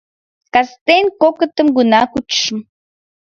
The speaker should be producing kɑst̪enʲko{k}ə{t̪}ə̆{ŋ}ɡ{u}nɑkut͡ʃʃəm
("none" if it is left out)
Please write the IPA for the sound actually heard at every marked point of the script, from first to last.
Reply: k, t̪, m, u

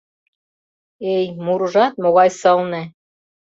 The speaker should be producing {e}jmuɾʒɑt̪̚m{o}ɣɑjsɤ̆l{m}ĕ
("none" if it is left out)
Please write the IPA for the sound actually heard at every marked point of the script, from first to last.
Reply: e, o, n

